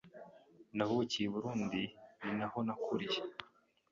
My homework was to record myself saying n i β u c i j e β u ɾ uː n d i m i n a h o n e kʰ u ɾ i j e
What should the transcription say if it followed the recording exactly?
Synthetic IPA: n a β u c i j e β u ɾ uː n d i n i n a h o n a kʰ u ɾ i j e